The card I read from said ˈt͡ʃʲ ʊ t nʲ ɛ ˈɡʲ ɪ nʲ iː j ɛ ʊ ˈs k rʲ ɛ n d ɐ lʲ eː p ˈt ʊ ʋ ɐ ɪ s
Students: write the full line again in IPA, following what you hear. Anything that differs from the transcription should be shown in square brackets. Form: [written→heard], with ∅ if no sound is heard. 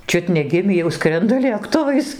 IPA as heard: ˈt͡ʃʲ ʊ t nʲ ɛ ˈɡʲ ɪ [nʲ→mʲ] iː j ɛ ʊ ˈs k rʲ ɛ n d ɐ lʲ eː [p→k] ˈt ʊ ʋ ɐ ɪ s